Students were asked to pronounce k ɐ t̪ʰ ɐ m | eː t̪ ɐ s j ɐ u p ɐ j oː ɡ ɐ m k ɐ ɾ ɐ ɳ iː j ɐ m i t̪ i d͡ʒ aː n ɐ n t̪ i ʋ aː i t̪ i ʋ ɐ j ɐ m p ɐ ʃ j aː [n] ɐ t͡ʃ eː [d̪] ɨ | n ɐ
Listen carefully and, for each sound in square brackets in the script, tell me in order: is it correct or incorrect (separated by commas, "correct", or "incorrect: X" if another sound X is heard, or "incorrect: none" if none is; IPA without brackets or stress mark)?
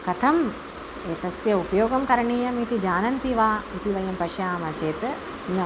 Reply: incorrect: m, incorrect: t̪